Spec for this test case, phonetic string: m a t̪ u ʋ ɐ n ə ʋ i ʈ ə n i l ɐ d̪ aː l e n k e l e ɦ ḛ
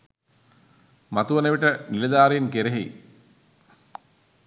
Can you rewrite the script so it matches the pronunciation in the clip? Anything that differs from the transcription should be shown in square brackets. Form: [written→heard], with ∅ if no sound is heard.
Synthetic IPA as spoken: m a t̪ u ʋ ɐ n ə ʋ i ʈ ə n i l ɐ d̪ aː [l→ɾ] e n k e [l→ɾ] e ɦ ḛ